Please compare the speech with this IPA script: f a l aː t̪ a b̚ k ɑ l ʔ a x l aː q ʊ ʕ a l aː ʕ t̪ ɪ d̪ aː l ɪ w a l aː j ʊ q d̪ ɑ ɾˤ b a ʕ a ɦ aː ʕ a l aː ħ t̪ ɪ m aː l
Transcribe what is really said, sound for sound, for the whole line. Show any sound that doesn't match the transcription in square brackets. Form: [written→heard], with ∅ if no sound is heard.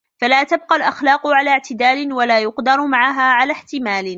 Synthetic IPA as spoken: f a l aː t̪ a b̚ [k→q] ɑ l ʔ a x l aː q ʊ ʕ a l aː ʕ t̪ ɪ d̪ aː l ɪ w a l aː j ʊ q d̪ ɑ ɾˤ [b→m] a ʕ a ɦ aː ʕ a l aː ħ t̪ ɪ m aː l